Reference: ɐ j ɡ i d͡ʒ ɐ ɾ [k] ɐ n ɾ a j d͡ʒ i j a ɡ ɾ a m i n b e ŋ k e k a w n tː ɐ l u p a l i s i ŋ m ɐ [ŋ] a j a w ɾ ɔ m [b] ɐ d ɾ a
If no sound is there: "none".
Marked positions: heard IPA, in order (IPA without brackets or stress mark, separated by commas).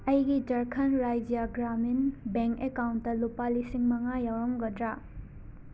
kʰ, ŋ, ɡ